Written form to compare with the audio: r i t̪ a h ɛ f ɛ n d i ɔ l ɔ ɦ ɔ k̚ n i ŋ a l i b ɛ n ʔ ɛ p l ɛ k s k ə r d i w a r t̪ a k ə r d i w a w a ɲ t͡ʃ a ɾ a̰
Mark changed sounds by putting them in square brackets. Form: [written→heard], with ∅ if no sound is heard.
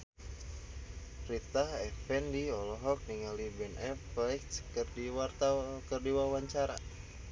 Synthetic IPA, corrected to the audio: r i t̪ a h ɛ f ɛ n d i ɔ l ɔ ɦ ɔ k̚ n i ŋ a l i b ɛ n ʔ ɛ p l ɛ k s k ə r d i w a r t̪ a k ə r d i w a w a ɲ t͡ʃ a ɾ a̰